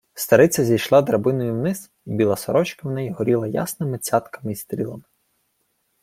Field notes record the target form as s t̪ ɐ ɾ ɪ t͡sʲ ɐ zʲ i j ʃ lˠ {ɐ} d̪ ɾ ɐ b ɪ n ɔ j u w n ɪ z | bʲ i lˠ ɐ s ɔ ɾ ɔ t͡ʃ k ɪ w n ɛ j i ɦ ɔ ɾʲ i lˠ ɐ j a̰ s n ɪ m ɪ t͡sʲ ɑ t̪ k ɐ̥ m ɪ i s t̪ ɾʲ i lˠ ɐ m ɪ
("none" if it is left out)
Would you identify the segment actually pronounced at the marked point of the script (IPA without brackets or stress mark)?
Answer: ɑ